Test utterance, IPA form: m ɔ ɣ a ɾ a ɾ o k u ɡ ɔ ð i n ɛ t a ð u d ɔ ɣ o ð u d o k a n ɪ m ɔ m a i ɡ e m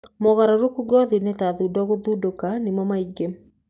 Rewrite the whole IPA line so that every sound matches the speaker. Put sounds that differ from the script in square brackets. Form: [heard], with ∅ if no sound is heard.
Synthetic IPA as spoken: m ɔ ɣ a ɾ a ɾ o k u ɡ ɔ ð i n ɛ t a ð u d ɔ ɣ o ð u d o k a n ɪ m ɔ m a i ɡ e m